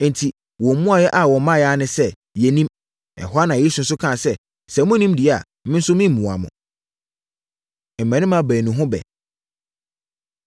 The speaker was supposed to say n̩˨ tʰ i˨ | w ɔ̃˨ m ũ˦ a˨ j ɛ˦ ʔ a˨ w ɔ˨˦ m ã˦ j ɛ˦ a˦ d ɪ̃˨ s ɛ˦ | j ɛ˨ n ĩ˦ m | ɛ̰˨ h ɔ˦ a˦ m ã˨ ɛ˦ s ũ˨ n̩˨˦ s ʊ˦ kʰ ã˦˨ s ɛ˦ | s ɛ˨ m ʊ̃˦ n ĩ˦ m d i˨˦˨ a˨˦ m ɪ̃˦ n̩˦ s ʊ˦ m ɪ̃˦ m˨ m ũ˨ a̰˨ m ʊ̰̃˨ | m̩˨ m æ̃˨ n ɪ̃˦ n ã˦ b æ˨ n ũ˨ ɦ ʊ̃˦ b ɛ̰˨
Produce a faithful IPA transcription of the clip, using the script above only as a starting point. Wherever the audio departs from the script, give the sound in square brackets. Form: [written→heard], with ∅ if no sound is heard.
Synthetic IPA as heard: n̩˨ tʰ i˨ | w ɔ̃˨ m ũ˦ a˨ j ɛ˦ ʔ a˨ w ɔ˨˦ m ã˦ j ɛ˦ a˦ [d→n] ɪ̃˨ s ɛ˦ | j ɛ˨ n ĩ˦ m | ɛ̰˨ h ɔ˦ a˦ [m→n] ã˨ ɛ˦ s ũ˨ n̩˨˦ s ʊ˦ kʰ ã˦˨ s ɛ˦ | s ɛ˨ m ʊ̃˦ n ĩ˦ m d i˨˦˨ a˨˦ m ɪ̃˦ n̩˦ s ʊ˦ m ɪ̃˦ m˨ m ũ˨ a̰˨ m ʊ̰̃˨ | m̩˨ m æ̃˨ n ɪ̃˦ [n→m] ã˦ b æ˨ n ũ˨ ɦ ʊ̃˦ b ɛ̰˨